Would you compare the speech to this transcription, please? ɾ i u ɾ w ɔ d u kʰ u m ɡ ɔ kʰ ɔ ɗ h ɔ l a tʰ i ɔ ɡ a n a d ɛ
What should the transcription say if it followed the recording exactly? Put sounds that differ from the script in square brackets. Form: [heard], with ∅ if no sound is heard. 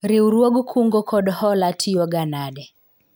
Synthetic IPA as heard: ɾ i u ɾ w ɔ [ɡ] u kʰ u [ŋ] ɡ ɔ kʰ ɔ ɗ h ɔ l a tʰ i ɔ ɡ a n a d ɛ